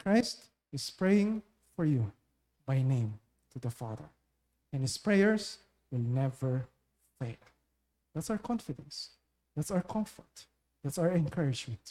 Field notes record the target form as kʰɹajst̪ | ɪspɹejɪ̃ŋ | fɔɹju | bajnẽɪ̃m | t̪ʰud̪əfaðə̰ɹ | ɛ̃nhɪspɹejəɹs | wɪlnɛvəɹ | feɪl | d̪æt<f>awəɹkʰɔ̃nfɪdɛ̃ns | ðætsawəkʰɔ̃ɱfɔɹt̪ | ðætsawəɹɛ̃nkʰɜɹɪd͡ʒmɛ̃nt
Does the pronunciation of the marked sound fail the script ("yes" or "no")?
yes